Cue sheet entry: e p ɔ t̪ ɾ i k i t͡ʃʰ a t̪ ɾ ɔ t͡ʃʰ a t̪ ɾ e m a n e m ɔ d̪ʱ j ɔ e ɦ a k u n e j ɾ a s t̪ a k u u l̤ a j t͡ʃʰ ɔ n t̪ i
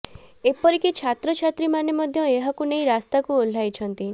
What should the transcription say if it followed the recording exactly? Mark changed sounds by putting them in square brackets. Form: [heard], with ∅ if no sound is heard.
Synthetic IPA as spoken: e p ɔ [∅] ɾ i k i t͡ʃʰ a t̪ ɾ ɔ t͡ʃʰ a t̪ ɾ [i] m a n e m ɔ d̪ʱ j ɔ e ɦ a k u n e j ɾ a s t̪ a k u [o] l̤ a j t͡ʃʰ ɔ n t̪ i